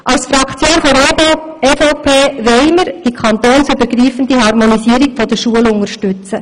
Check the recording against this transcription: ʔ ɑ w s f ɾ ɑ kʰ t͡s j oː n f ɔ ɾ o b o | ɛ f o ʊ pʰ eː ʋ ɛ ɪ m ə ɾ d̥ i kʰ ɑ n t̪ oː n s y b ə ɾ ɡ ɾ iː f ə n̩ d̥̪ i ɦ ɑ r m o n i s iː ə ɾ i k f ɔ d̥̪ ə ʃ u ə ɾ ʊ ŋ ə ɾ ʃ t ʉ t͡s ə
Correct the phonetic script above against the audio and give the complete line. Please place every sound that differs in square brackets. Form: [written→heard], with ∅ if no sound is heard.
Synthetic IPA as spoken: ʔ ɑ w s f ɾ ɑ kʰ t͡s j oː n f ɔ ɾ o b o | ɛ f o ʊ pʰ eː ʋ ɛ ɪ m ə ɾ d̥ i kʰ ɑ n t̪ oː n s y b ə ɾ ɡ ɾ iː f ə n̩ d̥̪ i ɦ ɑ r m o n i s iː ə ɾ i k f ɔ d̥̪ ə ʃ u ə [ɾ→l] ʊ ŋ ə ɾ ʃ t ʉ t͡s ə